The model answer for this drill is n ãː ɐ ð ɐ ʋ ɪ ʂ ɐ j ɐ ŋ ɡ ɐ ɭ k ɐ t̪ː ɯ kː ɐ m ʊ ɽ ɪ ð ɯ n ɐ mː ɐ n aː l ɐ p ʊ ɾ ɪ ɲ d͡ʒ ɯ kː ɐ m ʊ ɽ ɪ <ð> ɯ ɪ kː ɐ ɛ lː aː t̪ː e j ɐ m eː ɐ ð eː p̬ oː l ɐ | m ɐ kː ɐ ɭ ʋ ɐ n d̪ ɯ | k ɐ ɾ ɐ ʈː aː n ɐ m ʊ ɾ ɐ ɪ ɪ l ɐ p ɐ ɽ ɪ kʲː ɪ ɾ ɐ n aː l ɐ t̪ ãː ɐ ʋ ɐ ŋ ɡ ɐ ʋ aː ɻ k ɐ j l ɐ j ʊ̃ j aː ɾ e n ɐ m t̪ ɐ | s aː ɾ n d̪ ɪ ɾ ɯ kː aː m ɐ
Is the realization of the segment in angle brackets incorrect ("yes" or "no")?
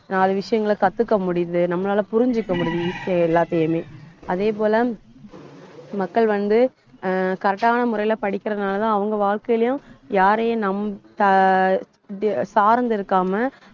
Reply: no